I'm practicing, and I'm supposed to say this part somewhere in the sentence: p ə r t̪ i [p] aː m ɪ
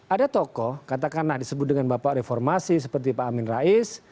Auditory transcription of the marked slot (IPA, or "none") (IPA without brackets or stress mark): p